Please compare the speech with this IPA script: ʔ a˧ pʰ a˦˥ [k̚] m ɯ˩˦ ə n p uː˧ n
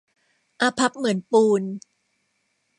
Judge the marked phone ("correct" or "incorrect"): incorrect